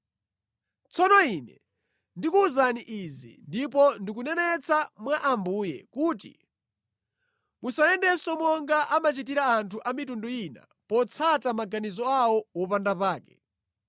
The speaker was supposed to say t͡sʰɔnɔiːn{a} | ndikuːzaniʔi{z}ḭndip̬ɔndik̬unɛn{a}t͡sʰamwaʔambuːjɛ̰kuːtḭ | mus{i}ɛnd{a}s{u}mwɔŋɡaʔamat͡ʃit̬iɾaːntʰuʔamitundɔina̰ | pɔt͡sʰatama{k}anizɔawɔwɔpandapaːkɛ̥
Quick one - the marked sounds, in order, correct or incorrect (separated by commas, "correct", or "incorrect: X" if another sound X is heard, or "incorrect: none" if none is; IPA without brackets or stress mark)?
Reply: incorrect: ɛ, correct, incorrect: ɛ, incorrect: a, incorrect: ɛ, incorrect: ɔ, incorrect: ɡ